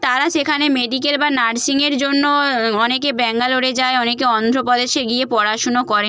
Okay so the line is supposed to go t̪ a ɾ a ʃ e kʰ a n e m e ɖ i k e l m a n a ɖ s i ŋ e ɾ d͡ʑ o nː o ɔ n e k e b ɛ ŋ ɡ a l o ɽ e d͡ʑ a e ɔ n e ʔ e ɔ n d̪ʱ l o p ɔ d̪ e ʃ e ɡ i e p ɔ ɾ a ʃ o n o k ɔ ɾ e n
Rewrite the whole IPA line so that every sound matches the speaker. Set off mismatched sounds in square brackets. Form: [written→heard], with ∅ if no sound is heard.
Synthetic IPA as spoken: t̪ a ɾ a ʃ e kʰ a n e m e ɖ i k e l [m→b] a n a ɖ s i ŋ e ɾ d͡ʑ o nː o ɔ n e k e b ɛ ŋ ɡ a l o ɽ e d͡ʑ a e ɔ n e [ʔ→k] e ɔ n d̪ʱ [l→ɾ] o p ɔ d̪ e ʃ e ɡ i e p ɔ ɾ a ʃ o n o k ɔ ɾ e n